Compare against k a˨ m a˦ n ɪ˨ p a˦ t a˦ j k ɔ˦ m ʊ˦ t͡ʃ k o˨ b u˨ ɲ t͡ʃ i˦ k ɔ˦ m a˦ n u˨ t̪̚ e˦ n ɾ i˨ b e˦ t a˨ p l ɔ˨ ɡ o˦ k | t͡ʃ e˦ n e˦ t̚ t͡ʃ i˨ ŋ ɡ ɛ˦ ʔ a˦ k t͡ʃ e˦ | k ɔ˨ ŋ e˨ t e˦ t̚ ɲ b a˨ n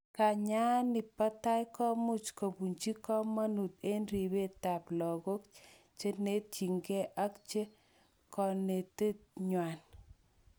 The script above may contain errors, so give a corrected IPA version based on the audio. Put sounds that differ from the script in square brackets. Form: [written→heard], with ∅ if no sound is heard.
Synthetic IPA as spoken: k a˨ [m→ɲ] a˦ n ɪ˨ p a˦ t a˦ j k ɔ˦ m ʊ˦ t͡ʃ k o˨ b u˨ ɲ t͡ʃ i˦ k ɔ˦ m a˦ n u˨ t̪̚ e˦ n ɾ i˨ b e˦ t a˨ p l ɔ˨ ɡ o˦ k | t͡ʃ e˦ n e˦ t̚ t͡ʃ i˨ ŋ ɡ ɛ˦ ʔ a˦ k t͡ʃ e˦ | k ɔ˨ [ŋ→n] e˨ t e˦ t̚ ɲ [b→w] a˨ n